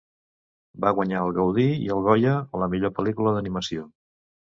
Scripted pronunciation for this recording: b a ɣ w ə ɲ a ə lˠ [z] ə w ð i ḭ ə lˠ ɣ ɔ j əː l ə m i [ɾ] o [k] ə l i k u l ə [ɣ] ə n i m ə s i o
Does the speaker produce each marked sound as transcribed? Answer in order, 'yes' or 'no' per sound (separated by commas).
no, no, no, no